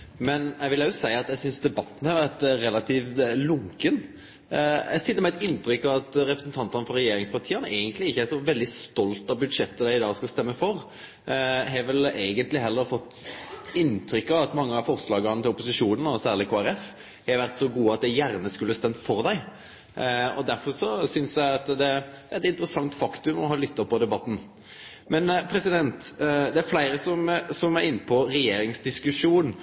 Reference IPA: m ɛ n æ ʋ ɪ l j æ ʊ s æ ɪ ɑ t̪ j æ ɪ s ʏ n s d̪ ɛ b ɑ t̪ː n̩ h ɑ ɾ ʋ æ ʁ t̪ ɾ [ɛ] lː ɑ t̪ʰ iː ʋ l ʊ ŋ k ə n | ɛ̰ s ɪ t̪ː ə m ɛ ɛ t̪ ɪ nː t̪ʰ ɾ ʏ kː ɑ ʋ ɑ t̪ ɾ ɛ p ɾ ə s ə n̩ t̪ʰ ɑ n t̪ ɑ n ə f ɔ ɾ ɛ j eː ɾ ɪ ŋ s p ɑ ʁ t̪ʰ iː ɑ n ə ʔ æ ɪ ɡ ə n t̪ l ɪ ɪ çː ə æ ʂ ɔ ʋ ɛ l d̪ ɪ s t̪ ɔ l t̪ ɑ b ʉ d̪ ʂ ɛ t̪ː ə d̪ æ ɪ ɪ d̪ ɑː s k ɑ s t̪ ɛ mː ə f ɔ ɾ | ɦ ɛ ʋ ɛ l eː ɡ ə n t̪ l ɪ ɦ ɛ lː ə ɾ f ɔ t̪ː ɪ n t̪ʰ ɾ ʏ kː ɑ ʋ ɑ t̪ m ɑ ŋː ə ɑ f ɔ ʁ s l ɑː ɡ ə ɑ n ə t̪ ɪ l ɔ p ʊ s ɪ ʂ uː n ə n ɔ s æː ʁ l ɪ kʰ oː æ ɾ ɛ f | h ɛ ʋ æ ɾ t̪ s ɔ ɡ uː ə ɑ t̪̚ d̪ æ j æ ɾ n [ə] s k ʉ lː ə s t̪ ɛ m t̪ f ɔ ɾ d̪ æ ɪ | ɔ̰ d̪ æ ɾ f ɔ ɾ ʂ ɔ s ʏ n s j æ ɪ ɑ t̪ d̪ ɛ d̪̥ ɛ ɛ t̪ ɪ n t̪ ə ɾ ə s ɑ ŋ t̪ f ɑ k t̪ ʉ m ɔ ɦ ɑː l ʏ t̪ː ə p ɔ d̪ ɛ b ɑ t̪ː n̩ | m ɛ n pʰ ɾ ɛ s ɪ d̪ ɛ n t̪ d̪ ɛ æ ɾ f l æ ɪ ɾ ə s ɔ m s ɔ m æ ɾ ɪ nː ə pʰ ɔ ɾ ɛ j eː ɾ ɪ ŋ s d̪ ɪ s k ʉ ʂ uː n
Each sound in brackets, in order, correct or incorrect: correct, correct

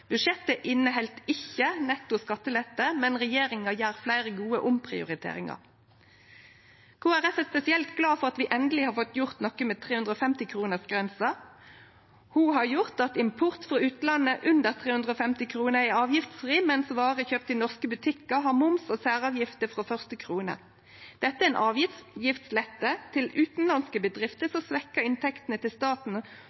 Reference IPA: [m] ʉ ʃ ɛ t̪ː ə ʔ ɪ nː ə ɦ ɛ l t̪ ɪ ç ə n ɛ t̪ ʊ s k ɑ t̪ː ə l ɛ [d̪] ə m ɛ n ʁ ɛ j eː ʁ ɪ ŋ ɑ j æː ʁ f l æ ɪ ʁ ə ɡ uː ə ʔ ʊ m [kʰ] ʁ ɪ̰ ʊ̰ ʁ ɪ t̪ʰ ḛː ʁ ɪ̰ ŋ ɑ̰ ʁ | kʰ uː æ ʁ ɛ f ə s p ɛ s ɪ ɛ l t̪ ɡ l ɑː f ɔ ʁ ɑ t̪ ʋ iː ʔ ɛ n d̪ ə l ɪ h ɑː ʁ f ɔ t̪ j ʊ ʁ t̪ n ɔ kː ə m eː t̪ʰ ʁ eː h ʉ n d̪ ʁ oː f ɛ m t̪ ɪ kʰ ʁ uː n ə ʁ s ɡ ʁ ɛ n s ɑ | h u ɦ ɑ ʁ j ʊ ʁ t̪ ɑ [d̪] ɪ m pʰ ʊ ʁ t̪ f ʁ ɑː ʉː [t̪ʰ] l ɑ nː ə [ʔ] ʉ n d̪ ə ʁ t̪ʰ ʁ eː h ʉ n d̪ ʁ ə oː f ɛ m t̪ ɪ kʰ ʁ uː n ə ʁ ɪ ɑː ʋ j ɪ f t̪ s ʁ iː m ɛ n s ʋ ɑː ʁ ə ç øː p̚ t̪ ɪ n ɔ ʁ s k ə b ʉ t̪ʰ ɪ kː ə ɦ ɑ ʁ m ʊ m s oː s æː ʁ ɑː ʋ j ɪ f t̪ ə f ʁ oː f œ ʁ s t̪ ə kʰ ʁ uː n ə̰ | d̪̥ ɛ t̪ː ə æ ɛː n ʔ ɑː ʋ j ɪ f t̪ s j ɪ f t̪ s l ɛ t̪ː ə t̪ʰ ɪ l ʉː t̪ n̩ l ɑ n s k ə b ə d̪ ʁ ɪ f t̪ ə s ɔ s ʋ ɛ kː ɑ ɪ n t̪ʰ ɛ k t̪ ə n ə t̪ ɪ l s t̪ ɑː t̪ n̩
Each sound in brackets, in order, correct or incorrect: incorrect: b, incorrect: t̪, incorrect: pʰ, incorrect: t̪, incorrect: t̪, correct

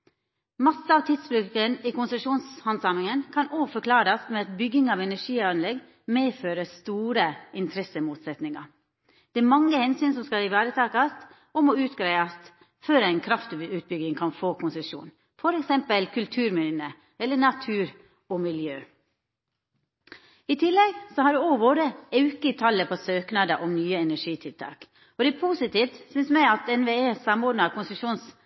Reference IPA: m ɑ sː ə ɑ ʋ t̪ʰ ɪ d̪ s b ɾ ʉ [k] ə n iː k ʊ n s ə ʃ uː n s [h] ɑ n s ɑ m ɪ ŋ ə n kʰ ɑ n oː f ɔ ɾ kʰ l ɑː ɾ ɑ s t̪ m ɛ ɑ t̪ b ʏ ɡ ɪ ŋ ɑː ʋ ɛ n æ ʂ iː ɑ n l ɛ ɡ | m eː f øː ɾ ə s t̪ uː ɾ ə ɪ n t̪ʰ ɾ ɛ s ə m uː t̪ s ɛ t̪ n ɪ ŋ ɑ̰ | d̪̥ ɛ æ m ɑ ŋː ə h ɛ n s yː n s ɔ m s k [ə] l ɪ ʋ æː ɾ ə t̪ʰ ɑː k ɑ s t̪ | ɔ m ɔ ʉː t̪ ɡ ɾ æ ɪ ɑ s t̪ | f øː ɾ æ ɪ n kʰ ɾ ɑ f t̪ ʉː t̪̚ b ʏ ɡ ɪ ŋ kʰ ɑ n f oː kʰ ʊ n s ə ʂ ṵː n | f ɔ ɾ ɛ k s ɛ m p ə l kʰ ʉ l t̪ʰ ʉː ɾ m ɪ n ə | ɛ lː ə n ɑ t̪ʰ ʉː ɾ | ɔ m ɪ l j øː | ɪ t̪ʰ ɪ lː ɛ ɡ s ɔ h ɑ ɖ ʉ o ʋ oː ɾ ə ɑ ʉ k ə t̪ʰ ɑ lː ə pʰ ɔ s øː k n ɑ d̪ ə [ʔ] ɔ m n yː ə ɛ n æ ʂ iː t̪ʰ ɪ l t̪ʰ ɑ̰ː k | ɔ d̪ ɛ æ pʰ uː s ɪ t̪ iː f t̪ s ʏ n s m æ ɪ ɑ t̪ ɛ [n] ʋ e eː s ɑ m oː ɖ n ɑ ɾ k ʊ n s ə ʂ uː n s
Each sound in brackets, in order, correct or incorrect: correct, correct, incorrect: ɑ, correct, correct

